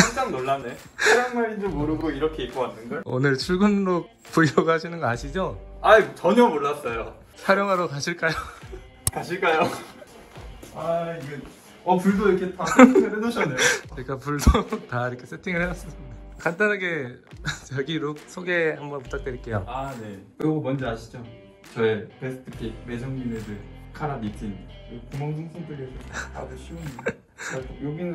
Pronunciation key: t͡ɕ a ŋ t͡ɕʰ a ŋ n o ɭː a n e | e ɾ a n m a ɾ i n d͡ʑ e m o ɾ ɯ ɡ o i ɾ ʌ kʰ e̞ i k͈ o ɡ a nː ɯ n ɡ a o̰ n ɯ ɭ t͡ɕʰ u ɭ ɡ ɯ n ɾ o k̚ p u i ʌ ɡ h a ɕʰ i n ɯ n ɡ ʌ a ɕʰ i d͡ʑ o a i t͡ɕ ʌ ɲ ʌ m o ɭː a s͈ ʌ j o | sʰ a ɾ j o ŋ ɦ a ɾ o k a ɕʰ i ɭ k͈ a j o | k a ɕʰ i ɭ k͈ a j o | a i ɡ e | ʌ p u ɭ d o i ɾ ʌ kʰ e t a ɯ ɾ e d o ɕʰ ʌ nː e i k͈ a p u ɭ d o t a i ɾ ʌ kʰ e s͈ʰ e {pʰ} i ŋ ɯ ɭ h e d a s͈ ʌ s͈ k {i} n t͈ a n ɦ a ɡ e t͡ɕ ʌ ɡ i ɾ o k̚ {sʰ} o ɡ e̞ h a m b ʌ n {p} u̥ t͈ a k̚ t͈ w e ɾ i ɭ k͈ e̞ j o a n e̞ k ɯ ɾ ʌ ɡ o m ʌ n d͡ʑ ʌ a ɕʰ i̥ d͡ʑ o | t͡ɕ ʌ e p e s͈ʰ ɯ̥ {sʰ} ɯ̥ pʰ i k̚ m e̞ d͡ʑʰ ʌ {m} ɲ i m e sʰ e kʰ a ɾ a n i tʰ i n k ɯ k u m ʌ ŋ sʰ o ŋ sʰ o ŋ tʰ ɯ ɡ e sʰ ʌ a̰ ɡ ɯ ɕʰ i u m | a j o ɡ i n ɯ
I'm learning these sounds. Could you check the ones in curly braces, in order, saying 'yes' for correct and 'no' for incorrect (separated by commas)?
no, no, yes, yes, no, no